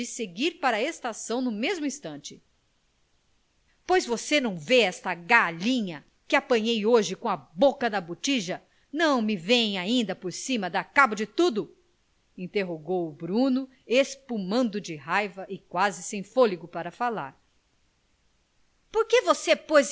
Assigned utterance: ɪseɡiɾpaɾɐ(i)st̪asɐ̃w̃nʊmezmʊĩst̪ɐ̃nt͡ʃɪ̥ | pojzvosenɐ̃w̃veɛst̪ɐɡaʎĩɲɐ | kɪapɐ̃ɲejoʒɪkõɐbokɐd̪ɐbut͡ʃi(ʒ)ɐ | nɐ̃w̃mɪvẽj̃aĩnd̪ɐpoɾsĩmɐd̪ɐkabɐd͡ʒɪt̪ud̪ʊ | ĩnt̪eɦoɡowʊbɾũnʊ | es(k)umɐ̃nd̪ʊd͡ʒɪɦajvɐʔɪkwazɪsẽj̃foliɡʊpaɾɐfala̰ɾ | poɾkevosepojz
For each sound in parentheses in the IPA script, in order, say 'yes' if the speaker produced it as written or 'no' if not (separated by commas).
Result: no, yes, no